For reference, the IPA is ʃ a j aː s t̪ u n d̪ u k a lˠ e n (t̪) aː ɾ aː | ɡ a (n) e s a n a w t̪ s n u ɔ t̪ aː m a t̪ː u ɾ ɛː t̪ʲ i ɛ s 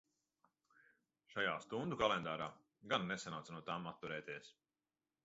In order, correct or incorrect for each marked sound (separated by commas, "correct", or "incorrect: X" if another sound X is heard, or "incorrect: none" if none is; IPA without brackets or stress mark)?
incorrect: d̪, incorrect: nː